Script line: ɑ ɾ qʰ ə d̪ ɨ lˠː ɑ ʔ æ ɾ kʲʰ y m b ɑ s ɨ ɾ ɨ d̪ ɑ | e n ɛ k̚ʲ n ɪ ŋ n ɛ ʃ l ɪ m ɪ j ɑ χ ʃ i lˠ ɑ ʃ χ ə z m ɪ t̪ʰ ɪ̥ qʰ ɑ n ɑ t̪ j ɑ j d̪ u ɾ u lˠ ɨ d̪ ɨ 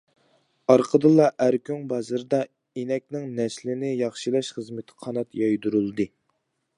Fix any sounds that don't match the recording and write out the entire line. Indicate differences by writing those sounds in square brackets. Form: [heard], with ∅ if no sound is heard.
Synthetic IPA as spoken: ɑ ɾ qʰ ə d̪ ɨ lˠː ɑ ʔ æ ɾ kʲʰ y [ŋ] b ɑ [z] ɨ ɾ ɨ d̪ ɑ | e n ɛ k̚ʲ n ɪ ŋ n ɛ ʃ l ɪ [n] ɪ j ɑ χ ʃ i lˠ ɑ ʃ χ ə z m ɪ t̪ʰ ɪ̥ qʰ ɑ n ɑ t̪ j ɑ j d̪ u ɾ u lˠ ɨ d̪ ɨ